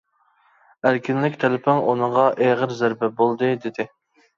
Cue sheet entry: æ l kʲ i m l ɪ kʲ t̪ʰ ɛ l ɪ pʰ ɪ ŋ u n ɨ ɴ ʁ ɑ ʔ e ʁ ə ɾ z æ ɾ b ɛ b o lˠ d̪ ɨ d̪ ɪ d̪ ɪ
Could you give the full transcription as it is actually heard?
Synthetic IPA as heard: æ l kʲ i n l ɪ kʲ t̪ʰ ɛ l ɪ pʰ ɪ ŋ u n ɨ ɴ ʁ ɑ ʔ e ʁ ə ɾ z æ ɾ b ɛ b o lˠ d̪ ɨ d̪ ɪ d̪ ɪ